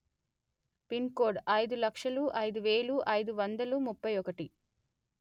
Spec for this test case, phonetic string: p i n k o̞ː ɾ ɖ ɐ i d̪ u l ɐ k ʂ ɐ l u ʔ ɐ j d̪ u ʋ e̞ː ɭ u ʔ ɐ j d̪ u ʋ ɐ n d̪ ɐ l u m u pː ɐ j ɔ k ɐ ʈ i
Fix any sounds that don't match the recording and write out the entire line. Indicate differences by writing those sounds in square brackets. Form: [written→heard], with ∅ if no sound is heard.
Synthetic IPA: p i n k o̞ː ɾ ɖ ɐ [i→j] d̪ u l ɐ k ʂ ɐ l u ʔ ɐ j d̪ u ʋ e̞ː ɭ u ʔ ɐ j d̪ u ʋ ɐ n d̪ ɐ l u m u pː ɐ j ɔ k ɐ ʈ i

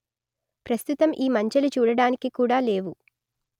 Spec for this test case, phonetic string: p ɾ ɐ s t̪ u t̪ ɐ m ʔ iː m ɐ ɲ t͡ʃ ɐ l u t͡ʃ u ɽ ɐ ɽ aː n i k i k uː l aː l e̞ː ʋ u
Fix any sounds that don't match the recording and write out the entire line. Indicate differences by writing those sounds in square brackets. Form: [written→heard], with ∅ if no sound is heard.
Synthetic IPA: p ɾ ɐ s t̪ u t̪ ɐ m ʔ iː m ɐ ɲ t͡ʃ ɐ l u t͡ʃ [u→uː] ɽ ɐ ɽ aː n i k i k uː [l→ɽ] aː l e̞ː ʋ u

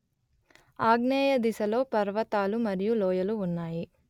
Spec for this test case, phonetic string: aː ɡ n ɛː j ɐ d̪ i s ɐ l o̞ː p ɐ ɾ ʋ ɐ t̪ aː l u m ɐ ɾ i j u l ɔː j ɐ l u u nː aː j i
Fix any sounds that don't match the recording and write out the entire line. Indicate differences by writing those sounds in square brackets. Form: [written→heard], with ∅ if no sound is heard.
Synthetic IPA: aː ɡ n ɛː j ɐ d̪ i s ɐ l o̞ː p ɐ ɾ ʋ ɐ t̪ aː l u m ɐ ɾ i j u l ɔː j ɐ l u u nː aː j i

